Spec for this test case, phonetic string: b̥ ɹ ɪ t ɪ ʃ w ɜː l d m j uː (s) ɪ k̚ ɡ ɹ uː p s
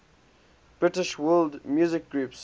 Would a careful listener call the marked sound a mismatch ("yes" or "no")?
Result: yes